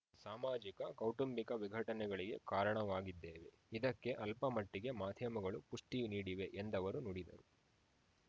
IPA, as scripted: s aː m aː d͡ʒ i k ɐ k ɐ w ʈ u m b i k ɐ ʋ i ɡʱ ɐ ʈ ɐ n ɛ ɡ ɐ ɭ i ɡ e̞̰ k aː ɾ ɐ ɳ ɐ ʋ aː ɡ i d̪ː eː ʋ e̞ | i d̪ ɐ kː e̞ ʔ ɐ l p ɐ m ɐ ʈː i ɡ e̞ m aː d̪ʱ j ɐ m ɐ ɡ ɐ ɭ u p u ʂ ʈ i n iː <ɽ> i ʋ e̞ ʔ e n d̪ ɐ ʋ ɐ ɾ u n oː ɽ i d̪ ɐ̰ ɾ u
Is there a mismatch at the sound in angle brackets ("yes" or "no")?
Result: no